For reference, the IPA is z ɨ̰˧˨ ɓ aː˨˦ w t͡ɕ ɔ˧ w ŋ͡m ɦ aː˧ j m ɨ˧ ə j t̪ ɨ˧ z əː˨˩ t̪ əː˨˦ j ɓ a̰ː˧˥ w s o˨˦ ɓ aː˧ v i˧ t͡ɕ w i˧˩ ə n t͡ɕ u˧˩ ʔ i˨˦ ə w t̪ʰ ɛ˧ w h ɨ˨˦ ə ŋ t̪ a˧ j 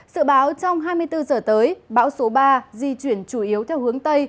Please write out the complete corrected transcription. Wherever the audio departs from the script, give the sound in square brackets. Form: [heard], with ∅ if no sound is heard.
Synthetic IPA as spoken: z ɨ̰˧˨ ɓ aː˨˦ w t͡ɕ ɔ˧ w ŋ͡m ɦ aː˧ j m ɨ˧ ə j t̪ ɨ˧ z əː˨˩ t̪ əː˨˦ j ɓ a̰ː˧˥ w s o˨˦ ɓ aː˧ [z] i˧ t͡ɕ w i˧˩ ə n t͡ɕ u˧˩ ʔ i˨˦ ə w t̪ʰ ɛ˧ w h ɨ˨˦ ə ŋ t̪ [ə˧] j